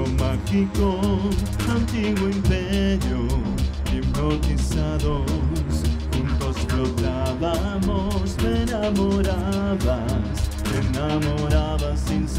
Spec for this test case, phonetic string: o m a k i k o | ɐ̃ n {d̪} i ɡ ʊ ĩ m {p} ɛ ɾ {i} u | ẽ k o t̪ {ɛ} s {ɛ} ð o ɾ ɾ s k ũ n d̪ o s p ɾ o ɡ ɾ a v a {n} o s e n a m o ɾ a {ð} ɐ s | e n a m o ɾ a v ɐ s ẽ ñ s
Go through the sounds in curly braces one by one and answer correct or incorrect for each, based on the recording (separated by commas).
incorrect, correct, incorrect, incorrect, incorrect, incorrect, incorrect